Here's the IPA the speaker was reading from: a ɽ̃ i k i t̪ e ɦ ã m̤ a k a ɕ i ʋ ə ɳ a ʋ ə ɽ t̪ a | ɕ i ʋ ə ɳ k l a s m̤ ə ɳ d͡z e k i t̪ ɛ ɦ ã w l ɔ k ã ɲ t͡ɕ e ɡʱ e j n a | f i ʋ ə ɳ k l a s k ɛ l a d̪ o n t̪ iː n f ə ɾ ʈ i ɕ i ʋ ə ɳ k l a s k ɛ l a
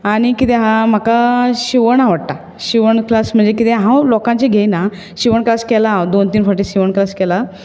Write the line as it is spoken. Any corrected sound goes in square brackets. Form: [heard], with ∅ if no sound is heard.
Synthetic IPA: a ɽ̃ i k i t̪ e ɦ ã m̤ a k a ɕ i ʋ ə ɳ a ʋ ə ɽ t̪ a | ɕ i ʋ ə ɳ k l a s m̤ ə ɳ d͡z e k i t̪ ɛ ɦ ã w l ɔ k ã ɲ t͡ɕ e ɡʱ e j n a | [ɕ] i ʋ ə ɳ k l a s k ɛ l a d̪ o n t̪ iː n f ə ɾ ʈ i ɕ i ʋ ə ɳ k l a s k ɛ l a